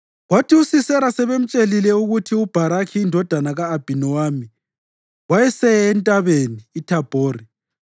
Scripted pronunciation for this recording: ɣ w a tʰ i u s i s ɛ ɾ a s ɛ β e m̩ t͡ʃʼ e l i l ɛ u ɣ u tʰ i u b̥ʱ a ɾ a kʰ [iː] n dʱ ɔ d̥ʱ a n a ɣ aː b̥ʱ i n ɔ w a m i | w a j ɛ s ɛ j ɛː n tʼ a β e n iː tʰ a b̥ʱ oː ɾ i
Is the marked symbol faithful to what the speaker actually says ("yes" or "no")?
yes